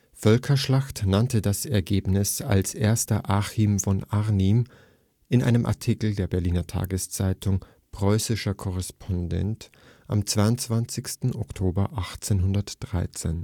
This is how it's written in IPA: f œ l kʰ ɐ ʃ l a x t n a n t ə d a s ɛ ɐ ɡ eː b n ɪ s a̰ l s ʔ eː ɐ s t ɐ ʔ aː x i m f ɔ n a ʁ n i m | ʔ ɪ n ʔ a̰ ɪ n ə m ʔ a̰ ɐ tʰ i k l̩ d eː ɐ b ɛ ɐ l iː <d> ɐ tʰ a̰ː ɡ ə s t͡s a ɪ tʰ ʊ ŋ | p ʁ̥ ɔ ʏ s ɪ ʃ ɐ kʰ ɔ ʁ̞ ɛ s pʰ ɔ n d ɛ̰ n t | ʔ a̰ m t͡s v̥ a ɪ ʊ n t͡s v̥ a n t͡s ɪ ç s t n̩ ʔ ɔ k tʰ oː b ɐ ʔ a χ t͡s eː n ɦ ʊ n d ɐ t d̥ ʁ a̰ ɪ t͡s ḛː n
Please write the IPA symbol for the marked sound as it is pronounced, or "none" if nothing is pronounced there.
n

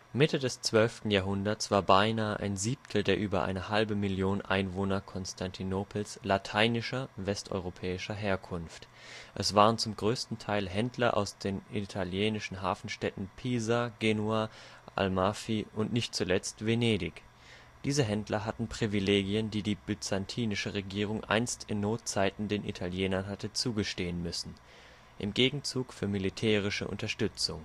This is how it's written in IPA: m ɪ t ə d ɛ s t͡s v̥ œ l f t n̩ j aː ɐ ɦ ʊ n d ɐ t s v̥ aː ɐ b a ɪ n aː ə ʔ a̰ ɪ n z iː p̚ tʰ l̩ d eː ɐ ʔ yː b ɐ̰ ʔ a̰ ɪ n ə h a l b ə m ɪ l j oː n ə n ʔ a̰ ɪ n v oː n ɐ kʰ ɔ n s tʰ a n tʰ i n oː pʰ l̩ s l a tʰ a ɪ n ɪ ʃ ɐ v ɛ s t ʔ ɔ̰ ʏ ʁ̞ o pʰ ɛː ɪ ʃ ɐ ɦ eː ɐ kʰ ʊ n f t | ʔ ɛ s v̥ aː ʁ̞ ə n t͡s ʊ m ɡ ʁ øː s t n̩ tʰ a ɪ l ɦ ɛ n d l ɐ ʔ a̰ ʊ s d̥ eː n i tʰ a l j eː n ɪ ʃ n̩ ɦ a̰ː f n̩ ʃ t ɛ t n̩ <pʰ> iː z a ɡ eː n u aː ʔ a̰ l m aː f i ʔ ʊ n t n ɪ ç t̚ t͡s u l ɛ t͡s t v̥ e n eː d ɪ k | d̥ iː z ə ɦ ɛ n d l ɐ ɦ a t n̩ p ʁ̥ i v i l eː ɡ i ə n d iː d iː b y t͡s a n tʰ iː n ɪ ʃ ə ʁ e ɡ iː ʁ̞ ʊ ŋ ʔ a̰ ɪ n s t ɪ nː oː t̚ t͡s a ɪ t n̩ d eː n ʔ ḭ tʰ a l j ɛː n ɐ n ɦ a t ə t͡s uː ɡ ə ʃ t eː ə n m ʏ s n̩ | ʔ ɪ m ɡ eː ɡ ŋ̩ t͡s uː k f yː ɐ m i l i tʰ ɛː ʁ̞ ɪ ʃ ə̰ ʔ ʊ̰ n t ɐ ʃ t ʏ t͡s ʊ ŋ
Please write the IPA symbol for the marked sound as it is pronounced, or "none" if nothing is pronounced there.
pʰ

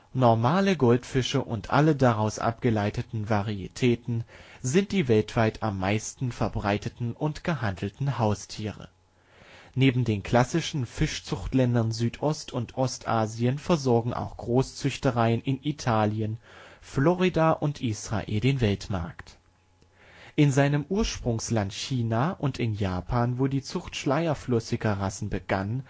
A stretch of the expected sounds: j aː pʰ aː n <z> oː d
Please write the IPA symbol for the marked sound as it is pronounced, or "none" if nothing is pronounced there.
v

